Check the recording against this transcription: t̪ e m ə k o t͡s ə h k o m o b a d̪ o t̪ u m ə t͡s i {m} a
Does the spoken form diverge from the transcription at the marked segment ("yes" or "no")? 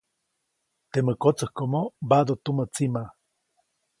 no